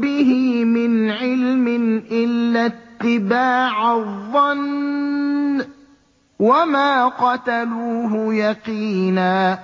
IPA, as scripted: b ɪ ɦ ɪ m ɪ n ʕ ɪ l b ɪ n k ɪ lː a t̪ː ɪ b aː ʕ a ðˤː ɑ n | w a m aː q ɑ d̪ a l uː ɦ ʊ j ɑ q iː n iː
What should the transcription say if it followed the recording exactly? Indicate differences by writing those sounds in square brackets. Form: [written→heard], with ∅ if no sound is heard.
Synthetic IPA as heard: b ɪ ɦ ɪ m ɪ n ʕ ɪ l [b→m] ɪ n [k→ʔ] ɪ lː a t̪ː ɪ b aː ʕ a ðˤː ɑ n | w a m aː q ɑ [d̪→t̪] a l uː ɦ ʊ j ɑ q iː n [iː→aː]